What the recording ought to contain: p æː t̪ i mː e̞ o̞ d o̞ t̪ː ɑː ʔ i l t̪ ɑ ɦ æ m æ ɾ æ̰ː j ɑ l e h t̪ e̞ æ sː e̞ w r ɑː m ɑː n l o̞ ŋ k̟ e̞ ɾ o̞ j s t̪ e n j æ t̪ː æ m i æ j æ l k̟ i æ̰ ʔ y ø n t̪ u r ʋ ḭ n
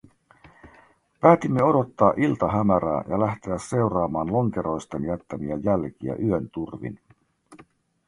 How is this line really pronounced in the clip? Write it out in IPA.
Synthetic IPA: p æː t̪ i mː e̞ o̞ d o̞ t̪ː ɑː ʔ i l t̪ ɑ ɦ æ m æ ɾ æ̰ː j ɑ l æ h t̪ e̞ æ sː e̞ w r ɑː m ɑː n l o̞ ŋ k̟ e̞ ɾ o̞ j s t̪ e n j æ t̪ː æ m i æ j æ l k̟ i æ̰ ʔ y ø n t̪ u r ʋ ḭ n